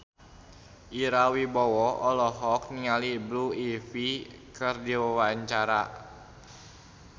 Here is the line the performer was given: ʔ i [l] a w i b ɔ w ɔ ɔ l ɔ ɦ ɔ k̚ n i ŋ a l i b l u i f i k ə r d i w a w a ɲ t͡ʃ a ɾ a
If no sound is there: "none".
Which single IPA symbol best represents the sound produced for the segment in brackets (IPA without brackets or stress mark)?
ɾ